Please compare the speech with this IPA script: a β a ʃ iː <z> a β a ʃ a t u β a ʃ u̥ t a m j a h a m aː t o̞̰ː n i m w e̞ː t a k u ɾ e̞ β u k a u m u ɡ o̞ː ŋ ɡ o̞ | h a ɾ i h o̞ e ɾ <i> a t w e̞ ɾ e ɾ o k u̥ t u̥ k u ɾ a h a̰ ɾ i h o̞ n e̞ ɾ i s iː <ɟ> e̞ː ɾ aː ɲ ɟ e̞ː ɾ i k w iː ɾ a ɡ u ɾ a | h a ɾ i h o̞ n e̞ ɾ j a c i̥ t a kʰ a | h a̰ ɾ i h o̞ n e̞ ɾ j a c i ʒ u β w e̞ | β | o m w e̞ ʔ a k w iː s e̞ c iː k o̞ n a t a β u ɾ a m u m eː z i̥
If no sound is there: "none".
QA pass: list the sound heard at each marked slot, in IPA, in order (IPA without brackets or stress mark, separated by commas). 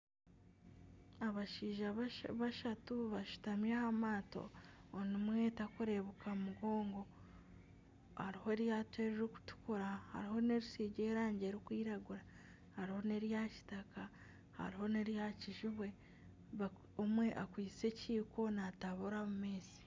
ʒ, j, ɟ